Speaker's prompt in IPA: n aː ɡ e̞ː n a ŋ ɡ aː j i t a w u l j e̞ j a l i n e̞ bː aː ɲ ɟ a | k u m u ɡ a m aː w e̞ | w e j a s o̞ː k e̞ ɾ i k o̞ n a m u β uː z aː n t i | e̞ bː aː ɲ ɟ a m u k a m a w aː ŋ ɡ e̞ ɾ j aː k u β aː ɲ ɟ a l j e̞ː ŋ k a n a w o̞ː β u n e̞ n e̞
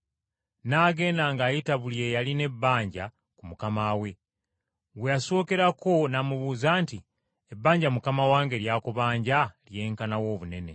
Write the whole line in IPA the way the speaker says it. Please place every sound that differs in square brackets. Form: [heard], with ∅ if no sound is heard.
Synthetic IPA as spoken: n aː ɡ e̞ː n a ŋ ɡ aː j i t a [β] u l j e̞ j a l i n e̞ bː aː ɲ ɟ a | k u m u [k] a m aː w e̞ | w e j a s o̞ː k e̞ ɾ [a] k o̞ n a m u β uː z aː n t i | e̞ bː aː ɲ ɟ a m u k a m a w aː ŋ ɡ e̞ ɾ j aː k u β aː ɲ ɟ a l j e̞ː ŋ k a n a w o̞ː β u n e̞ n e̞